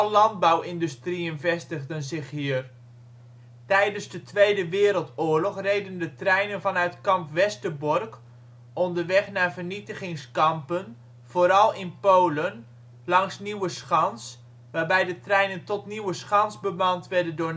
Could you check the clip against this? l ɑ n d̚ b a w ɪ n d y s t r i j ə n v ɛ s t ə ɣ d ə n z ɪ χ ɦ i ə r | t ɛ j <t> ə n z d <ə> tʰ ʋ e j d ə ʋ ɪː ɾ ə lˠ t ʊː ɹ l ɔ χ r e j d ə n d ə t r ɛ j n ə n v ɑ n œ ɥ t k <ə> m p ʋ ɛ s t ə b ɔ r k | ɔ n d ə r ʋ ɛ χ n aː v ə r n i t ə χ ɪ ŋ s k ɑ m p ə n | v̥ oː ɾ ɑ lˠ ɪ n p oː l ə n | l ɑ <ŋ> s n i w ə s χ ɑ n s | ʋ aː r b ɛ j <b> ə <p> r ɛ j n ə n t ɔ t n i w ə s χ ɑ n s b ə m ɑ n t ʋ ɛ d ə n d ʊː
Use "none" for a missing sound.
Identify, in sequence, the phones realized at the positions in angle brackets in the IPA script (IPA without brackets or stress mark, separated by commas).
d, ə, ɑ, ŋ, d, t